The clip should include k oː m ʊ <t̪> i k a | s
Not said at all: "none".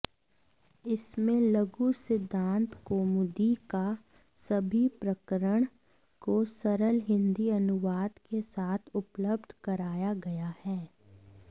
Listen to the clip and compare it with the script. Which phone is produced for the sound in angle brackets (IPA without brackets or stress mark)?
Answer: d̪